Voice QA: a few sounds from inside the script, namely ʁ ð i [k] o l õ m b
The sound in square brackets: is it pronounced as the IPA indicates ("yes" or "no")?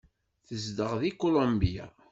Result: yes